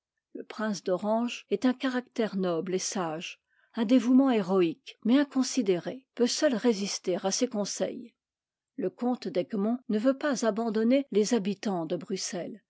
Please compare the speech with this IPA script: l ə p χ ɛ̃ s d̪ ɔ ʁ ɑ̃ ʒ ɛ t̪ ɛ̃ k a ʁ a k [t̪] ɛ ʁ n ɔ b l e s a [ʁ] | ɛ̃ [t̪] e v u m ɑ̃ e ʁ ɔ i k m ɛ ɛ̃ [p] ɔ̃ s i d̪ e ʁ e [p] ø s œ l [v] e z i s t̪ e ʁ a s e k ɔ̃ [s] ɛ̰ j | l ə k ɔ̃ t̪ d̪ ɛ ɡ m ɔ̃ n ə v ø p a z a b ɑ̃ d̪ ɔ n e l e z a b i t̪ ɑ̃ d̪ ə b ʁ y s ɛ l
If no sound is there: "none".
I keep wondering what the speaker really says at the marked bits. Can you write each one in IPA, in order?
t̪, ʒ, d̪, k, p, ʁ, s

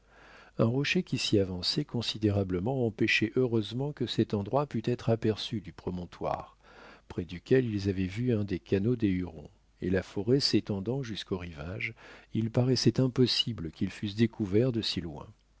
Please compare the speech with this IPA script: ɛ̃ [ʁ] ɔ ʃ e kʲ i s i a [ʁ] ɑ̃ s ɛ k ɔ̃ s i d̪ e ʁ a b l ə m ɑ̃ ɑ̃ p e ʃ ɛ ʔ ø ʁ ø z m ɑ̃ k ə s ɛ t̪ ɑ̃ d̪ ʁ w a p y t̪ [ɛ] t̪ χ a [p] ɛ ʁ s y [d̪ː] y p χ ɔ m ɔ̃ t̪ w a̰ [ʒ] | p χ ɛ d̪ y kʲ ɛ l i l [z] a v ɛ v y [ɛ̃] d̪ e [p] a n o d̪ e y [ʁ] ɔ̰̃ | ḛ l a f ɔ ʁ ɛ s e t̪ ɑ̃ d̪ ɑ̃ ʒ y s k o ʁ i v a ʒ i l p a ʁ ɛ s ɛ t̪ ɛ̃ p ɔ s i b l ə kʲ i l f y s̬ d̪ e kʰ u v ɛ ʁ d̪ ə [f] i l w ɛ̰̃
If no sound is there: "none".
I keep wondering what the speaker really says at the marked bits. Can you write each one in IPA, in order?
ʁ, v, ɛ, p, d̪, ʁ, z, ɛ̃, k, ʁ, s

